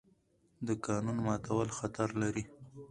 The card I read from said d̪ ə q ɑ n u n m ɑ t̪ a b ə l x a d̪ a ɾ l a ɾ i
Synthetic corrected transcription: d̪ ə k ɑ n u n m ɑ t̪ a w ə l x a t̪ a ɾ l a ɾ i